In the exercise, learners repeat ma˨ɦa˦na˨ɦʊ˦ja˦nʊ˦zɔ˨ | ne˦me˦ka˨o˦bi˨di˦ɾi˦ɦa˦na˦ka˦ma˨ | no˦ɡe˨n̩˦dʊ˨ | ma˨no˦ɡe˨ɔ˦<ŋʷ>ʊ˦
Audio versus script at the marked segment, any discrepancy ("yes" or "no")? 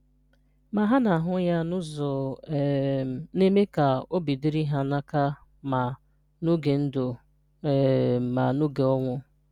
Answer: no